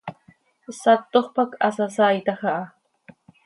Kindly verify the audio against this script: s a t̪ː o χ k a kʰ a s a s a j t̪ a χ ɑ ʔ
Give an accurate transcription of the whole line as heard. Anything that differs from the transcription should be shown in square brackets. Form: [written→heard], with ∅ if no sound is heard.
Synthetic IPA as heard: s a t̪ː o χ [k→p] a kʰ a s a s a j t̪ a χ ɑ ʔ